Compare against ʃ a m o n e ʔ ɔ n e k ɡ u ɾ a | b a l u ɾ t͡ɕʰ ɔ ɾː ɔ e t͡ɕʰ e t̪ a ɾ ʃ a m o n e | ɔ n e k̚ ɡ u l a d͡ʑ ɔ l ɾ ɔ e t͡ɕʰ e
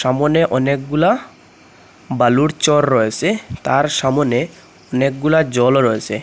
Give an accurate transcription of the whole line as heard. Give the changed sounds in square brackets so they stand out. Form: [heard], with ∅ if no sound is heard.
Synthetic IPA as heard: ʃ a m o n e ʔ ɔ n e k ɡ u [l] a | b a l u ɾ [t͡ɕ] ɔ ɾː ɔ e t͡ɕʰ e t̪ a ɾ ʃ a m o n e | ɔ n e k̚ ɡ u l a d͡ʑ ɔ l ɾ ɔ e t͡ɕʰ e